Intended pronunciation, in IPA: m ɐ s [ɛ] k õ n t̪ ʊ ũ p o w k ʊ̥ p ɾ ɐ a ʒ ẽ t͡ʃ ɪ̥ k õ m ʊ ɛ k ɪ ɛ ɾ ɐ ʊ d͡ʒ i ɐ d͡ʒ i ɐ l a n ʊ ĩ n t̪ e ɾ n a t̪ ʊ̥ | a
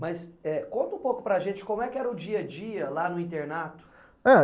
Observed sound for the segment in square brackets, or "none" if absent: ɛ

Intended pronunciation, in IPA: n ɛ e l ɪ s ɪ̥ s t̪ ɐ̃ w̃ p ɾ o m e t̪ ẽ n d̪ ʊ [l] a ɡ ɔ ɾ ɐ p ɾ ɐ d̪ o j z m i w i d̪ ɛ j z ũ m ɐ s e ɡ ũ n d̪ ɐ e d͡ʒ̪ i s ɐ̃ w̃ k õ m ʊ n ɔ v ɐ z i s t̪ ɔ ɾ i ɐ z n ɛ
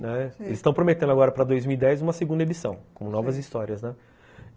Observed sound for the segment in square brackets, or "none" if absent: none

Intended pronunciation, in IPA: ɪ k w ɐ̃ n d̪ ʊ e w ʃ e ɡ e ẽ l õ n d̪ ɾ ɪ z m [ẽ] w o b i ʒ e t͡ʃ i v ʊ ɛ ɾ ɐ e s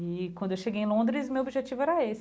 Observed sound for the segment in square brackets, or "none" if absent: e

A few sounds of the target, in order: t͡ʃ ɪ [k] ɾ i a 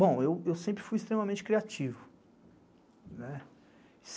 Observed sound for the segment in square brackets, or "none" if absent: k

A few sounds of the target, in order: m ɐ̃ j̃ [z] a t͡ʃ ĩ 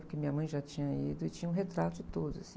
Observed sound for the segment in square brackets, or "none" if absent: ʒ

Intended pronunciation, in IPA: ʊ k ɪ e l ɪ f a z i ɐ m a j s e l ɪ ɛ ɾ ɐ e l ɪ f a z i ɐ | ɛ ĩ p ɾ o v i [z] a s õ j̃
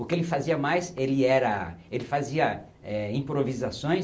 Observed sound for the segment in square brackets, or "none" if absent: z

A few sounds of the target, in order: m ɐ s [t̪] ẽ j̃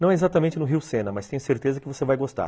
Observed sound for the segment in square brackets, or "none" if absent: t̪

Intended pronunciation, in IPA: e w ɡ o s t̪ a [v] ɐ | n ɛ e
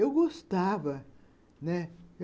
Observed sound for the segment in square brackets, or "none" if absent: v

